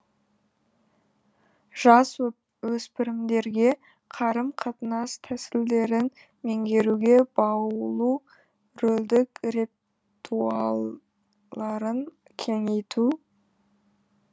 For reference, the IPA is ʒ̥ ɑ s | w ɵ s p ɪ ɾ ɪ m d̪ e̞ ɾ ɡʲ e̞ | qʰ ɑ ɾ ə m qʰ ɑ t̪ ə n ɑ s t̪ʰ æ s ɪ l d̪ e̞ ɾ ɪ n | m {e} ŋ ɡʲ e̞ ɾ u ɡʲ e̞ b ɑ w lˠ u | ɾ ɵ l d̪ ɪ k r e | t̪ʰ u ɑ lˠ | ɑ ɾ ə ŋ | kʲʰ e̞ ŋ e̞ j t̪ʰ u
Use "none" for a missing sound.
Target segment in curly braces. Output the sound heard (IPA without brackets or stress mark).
e